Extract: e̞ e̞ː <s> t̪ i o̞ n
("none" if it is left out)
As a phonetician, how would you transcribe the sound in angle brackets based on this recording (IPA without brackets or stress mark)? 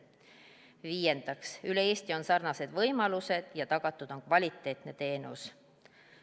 s